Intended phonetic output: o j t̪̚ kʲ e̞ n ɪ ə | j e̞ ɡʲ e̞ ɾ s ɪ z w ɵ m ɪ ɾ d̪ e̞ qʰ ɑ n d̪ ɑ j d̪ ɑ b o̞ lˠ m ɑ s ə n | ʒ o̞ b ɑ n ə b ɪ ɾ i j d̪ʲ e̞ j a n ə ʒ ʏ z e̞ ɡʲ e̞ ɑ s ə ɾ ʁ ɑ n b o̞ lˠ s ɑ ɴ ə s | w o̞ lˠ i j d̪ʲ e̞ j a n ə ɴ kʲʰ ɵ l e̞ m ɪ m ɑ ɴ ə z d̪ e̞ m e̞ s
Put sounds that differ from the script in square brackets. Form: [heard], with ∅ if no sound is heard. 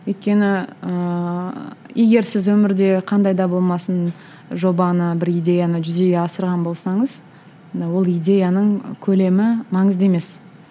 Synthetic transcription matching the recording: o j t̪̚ kʲ e̞ n ɪ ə | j e̞ ɡʲ e̞ ɾ s ɪ z w ɵ m ɪ ɾ d̪ e̞ qʰ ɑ n d̪ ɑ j d̪ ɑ b o̞ lˠ m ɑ s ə n | ʒ o̞ b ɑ n ə b ɪ ɾ i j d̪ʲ e̞ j a n ə ʒ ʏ z e̞ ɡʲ e̞ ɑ s ə ɾ ʁ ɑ n b o̞ lˠ s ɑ ɴ ə [z] | w o̞ lˠ i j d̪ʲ e̞ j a n ə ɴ kʲʰ ɵ l e̞ m ɪ m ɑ ɴ ə z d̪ e̞ m e̞ s